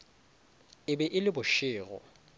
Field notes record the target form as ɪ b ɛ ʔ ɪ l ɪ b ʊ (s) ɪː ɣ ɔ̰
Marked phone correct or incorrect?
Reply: incorrect